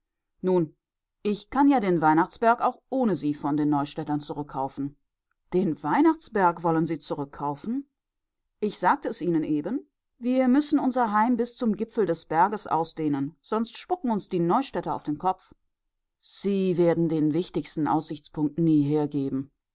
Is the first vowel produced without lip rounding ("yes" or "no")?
no